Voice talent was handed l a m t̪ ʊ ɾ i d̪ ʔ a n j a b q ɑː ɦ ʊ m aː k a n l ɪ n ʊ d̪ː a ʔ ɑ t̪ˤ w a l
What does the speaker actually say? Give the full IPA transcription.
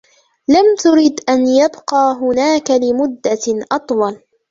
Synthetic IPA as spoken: l a m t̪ ʊ ɾ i d̪ ʔ a n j a b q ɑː ɦ ʊ n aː k a l ɪ m ʊ d̪ː a ʔ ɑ t̪ˤ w ɑ l